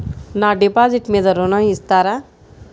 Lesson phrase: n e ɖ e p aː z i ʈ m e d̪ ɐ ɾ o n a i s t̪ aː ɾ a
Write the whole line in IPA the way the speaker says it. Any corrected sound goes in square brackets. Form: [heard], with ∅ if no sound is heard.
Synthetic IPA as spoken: n [a] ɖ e p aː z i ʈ m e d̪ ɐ ɾ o n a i s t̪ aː ɾ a